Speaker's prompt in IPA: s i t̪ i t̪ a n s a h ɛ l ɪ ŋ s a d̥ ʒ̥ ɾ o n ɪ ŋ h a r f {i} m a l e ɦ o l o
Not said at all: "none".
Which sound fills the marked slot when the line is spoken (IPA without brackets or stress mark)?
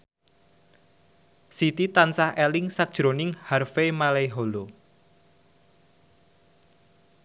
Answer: e